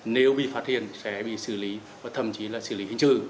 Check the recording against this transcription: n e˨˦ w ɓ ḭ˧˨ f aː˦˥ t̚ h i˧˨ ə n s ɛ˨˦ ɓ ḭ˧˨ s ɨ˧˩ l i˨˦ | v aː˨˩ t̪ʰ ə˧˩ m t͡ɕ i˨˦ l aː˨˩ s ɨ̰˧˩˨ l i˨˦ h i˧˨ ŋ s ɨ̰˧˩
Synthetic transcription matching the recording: n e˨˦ w ɓ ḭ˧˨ f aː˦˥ t̚ h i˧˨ ə n s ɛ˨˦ ɓ ḭ˧˨ s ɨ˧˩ l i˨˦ | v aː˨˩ t̪ʰ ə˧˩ m t͡ɕ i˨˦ l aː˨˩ s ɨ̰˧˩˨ l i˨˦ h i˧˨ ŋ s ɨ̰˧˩